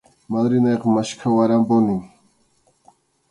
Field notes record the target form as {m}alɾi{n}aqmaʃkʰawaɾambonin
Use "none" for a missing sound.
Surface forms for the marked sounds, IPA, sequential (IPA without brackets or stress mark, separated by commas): m, n